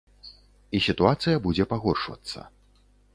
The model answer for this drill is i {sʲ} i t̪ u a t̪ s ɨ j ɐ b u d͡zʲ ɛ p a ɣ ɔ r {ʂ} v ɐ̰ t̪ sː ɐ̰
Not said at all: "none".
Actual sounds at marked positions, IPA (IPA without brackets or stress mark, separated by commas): sʲ, ʂ